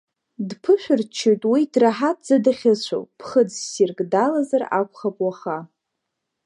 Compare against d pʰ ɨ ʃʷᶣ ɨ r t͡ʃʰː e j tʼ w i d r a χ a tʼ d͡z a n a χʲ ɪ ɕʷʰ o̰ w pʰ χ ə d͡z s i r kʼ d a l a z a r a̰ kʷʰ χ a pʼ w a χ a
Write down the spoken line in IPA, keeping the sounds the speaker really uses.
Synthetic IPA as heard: d pʰ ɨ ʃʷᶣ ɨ r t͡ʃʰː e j tʼ w i d r a ħ a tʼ d͡z a d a χʲ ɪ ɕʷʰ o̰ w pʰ χ ə d͡z s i r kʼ d a l a z a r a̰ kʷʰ χ a pʼ w a χ a